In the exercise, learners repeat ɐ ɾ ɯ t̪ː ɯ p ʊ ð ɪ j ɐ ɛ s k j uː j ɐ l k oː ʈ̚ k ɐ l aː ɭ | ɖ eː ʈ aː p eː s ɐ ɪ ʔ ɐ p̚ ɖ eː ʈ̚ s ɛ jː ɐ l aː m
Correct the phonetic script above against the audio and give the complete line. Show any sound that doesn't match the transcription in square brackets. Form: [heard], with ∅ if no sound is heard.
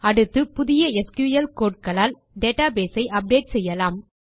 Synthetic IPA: ɐ [ɽ] ɯ t̪ː ɯ p ʊ ð ɪ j ɐ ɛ s k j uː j ɐ l k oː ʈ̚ k ɐ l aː [l] | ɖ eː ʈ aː [b] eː s ɐ ɪ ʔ ɐ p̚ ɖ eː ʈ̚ s ɛ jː ɐ l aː m